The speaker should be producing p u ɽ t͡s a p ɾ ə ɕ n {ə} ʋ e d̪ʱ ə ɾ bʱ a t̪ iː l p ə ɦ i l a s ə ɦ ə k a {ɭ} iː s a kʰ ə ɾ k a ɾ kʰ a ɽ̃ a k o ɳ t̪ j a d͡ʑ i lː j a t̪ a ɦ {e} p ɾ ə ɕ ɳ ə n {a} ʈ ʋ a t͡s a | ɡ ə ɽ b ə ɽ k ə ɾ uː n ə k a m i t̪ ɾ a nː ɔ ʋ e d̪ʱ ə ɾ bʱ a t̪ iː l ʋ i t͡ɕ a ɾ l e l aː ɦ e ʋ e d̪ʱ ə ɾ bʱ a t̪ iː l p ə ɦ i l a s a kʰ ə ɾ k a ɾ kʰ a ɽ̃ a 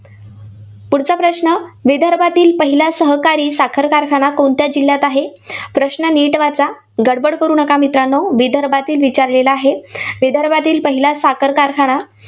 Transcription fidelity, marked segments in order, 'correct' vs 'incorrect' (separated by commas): correct, incorrect, correct, incorrect